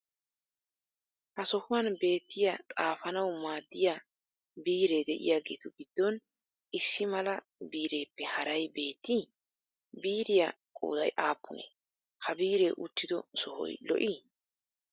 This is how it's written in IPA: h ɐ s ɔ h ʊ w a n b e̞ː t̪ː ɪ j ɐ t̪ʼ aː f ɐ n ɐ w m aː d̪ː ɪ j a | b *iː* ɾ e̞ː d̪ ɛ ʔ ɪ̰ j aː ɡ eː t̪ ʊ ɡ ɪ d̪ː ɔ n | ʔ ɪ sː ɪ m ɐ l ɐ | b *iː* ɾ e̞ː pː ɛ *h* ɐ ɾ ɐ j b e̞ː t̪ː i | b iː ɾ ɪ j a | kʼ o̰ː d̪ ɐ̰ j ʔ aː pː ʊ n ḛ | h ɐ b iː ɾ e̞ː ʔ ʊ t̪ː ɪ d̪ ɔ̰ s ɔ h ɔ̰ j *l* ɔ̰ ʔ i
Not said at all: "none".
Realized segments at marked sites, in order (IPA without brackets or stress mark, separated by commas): iː, iː, h, l